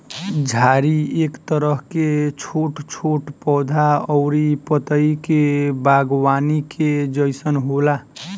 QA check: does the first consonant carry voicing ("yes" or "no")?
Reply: yes